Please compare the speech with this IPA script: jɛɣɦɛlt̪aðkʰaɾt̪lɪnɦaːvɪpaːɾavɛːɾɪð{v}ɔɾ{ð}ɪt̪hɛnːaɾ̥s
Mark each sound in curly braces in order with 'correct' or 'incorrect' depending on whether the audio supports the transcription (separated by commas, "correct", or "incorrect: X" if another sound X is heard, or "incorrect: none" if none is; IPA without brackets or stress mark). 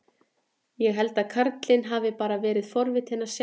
incorrect: f, incorrect: v